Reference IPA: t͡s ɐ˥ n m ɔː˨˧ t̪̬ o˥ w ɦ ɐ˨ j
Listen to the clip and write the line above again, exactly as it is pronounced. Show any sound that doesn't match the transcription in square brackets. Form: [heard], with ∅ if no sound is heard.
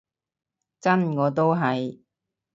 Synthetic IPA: t͡s ɐ˥ n [ŋ] ɔː˨˧ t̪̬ o˥ w ɦ ɐ˨ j